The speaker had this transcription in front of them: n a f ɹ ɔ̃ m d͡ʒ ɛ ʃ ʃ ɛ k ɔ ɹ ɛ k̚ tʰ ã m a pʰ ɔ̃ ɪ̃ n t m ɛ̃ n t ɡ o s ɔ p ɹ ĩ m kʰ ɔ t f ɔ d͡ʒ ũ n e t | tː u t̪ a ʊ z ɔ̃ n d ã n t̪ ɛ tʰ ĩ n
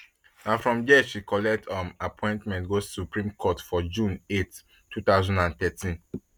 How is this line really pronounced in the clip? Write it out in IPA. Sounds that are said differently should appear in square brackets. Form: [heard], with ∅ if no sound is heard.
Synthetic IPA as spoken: n a f ɹ ɔ̃ m d͡ʒ ɛ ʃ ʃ [i] k ɔ [l] ɛ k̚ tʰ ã m a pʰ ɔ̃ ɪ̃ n t m ɛ̃ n t ɡ o s [u] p ɹ ĩ m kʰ ɔ t f ɔ d͡ʒ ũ n e t | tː u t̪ a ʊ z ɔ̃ n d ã n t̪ ɛ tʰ ĩ n